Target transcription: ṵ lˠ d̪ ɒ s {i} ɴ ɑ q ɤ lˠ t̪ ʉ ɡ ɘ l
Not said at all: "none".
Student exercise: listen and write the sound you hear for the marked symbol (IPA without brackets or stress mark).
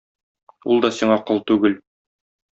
i